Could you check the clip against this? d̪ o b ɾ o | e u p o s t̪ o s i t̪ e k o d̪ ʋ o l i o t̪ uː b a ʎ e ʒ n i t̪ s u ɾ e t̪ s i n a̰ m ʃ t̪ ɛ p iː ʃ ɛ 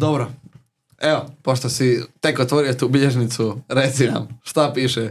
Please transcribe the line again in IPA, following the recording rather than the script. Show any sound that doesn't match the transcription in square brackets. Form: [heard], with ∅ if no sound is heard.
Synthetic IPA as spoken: d̪ o b ɾ o | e [o] p o [ʃ] t̪ o s i t̪ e k o [t̪] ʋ o [ɾ] i o t̪ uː b [i] ʎ e ʒ n i t̪ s u ɾ e t̪ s i n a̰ m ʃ t̪ [a] p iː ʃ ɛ